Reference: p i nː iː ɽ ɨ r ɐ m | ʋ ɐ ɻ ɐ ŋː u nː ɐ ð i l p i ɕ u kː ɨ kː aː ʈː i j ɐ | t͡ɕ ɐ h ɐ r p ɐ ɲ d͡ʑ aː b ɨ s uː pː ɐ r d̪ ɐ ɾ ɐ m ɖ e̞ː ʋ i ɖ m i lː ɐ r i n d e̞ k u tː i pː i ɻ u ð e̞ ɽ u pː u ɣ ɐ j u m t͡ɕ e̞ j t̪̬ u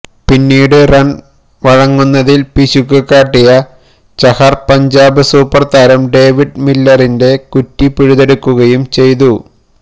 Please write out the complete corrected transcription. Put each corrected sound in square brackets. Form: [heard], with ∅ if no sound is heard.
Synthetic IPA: p i nː iː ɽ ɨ r ɐ [n] | ʋ ɐ ɻ ɐ ŋː u nː ɐ ð i l p i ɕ u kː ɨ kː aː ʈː i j ɐ | t͡ɕ ɐ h ɐ r p ɐ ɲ d͡ʑ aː b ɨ s uː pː ɐ r [t̪] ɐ ɾ ɐ m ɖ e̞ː ʋ i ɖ m i lː ɐ r i n d e̞ k u tː i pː i ɻ u ð e̞ ɽ u [kː] u ɣ ɐ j u m t͡ɕ e̞ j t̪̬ u